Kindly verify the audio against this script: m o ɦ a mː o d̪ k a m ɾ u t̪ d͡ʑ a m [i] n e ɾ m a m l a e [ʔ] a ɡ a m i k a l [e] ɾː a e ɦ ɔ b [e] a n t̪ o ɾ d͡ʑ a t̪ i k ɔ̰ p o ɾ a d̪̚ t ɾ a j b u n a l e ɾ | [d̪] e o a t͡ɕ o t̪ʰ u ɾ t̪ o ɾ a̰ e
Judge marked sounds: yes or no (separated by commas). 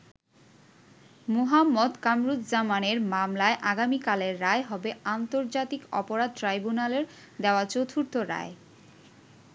no, yes, yes, yes, yes